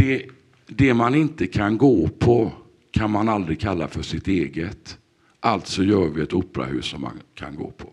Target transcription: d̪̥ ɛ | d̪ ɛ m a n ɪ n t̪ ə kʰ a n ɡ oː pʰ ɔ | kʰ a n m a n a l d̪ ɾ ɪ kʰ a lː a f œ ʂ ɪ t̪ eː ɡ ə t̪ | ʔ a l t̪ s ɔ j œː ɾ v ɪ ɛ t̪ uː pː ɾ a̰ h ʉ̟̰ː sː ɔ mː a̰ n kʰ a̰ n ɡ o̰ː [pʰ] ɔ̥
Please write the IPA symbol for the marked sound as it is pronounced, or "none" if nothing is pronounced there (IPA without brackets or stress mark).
pʰ